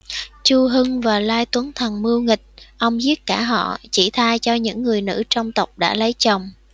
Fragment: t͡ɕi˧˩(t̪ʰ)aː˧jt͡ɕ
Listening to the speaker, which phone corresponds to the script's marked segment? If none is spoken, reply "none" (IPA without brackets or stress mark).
t̪ʰ